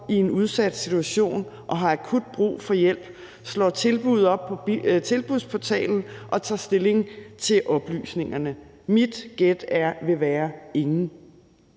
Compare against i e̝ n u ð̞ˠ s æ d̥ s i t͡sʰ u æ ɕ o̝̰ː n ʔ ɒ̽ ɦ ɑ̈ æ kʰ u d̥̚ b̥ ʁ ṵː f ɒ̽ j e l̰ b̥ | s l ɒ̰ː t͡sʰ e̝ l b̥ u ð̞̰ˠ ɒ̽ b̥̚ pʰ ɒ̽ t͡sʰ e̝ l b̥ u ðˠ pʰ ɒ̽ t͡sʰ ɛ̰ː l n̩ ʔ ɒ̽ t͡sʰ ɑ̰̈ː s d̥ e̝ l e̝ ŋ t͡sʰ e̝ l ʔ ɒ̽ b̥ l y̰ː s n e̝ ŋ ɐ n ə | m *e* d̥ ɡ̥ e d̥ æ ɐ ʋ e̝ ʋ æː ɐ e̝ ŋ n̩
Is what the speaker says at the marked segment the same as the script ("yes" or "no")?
no